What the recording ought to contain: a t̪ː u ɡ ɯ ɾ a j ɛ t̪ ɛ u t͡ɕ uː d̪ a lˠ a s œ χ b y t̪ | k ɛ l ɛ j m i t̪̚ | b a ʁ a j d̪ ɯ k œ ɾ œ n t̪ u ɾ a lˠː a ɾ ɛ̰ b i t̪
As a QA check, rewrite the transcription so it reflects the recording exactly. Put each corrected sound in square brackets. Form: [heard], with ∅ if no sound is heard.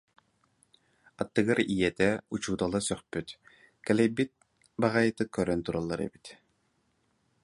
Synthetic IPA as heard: a t̪ː [ɯ] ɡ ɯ ɾ [i] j ɛ t̪ ɛ u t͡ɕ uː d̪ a lˠ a s œ χ [p] y t̪ | k ɛ l ɛ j [b] i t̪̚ | b a ʁ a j [t̪] ɯ k œ ɾ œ n t̪ u ɾ a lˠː a ɾ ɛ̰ b i t̪